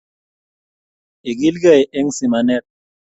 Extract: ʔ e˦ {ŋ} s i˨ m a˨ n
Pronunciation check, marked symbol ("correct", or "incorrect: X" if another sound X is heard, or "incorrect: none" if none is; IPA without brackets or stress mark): correct